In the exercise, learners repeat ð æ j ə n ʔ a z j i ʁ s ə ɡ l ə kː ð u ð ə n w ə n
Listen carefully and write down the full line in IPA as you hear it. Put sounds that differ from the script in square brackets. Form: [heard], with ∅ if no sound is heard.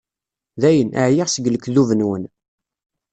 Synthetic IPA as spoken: ð æ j ə n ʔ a [ʕ] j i ʁ s ə ɡ l ə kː ð u [v] ə n w ə n